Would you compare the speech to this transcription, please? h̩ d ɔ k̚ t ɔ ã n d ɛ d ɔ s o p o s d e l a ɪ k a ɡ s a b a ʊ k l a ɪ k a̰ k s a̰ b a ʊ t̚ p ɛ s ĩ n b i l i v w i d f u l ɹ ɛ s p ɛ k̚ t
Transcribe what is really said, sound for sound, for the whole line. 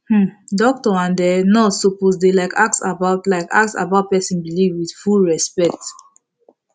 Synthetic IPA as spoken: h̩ d ɔ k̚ t ɔ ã n d ɛ n ɔ s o p o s d e l a ɪ k a k s a b a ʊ t l a ɪ k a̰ k s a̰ b a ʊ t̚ p ɛ s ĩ n b i l i v w i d f u l ɹ ɛ s p ɛ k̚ t